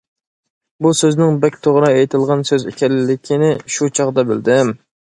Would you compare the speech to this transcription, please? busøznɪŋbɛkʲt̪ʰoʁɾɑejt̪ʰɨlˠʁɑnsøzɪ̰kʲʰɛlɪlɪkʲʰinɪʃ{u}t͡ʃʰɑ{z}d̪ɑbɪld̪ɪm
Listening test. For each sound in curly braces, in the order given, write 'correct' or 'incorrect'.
correct, incorrect: ʁ

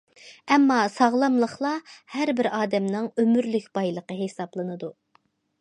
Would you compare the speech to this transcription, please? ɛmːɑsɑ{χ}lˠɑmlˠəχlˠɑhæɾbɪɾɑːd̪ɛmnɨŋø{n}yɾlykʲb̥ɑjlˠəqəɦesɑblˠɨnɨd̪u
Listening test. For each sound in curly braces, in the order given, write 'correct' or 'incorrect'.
incorrect: ʁ, incorrect: m

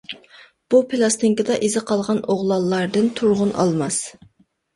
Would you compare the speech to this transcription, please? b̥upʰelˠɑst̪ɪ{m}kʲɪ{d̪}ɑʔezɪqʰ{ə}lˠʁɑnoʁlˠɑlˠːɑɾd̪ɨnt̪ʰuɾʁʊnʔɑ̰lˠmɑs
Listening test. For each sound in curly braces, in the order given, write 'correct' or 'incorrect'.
incorrect: ŋ, correct, incorrect: ɑ

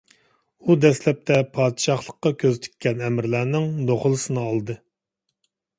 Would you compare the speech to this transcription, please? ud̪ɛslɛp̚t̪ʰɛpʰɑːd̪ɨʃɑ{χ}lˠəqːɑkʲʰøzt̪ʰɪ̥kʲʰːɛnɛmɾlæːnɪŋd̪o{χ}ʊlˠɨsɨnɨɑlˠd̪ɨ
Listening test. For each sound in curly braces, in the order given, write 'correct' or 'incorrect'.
correct, correct

